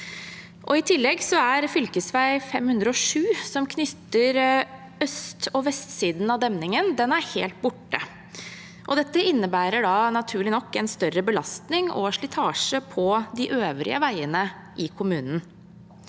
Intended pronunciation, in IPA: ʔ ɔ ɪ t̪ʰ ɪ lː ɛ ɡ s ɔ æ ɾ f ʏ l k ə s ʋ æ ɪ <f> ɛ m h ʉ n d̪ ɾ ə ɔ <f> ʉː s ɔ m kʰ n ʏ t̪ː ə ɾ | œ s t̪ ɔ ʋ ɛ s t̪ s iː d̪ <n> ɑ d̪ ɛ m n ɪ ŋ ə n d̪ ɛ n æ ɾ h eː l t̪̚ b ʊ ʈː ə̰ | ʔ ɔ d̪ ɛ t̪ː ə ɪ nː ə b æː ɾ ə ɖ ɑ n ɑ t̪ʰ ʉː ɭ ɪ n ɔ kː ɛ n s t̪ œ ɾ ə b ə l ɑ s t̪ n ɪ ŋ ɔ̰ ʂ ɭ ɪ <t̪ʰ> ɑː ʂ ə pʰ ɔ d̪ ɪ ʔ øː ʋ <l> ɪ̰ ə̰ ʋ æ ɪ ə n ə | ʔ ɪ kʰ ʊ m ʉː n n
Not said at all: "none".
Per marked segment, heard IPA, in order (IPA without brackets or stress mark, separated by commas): f, ʂ, n, t̪ʰ, ɾ